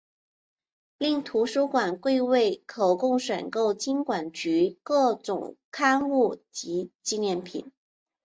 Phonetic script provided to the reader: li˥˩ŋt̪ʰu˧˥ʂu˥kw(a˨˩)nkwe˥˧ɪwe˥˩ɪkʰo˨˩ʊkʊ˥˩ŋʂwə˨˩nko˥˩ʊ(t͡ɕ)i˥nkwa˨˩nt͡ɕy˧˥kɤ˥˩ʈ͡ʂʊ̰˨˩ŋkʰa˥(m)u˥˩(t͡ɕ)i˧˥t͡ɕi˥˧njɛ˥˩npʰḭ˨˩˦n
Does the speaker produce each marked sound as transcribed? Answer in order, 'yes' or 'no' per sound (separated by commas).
yes, yes, no, yes